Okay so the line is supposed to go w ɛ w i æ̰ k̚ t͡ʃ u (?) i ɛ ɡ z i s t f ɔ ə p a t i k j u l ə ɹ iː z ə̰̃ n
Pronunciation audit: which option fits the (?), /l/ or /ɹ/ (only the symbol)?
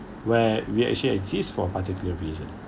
l